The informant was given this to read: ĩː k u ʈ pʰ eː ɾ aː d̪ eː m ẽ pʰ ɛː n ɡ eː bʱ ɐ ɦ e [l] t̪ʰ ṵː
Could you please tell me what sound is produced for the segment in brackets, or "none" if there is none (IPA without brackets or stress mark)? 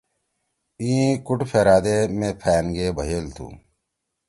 l